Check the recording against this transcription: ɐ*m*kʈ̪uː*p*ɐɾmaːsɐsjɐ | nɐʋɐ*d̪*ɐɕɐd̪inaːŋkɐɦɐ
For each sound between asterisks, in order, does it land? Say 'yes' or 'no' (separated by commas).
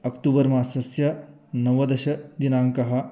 no, no, yes